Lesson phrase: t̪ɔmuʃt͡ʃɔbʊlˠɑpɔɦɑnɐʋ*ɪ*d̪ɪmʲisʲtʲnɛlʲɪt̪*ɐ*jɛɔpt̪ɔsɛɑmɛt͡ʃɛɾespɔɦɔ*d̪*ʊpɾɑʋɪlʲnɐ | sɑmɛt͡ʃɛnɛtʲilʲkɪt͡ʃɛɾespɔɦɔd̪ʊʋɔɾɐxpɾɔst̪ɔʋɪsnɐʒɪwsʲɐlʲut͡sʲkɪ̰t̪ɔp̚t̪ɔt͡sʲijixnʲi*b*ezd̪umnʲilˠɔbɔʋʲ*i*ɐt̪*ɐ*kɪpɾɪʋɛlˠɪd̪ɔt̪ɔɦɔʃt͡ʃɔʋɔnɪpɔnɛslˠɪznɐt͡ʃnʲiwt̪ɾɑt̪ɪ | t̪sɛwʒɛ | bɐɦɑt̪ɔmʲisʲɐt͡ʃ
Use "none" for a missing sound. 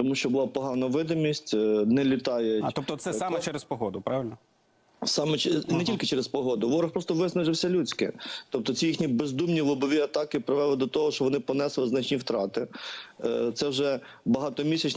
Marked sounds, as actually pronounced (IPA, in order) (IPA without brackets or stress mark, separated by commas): ɪ, ɑ, d̪, b, i, ɑ